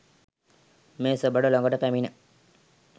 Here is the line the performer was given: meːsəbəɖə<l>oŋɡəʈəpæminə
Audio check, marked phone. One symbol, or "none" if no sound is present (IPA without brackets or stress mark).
l